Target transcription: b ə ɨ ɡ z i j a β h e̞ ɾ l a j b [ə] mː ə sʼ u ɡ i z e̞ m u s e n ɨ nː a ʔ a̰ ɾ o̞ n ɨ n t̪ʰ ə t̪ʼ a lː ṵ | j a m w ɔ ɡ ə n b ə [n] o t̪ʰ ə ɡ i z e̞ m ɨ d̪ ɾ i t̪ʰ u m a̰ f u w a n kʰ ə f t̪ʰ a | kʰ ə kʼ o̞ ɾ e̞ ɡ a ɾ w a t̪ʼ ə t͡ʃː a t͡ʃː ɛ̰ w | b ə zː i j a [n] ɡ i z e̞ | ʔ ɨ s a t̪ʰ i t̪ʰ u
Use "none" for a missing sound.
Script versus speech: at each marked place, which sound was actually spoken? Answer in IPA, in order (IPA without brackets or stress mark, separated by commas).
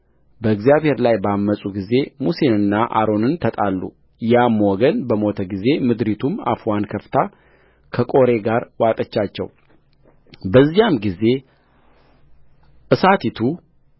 a, m, m